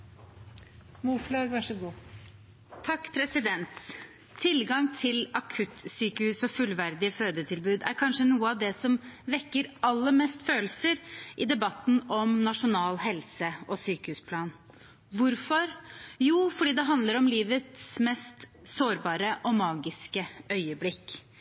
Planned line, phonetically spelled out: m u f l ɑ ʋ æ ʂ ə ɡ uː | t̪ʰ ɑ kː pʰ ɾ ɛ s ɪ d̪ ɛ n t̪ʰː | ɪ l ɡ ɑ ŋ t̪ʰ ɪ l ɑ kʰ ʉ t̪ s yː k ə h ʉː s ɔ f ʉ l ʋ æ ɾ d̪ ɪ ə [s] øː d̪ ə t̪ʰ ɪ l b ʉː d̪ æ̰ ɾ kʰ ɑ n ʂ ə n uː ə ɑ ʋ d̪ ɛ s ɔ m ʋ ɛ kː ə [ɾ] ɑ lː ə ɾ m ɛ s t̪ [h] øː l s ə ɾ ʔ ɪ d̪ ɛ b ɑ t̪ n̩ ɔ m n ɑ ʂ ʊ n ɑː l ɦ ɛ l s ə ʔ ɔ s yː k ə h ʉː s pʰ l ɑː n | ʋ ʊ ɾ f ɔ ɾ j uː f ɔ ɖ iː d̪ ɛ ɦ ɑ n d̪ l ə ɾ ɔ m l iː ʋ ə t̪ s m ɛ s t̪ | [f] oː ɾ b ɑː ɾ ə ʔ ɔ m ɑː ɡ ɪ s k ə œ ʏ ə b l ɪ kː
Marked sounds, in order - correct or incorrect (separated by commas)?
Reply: incorrect, correct, incorrect, incorrect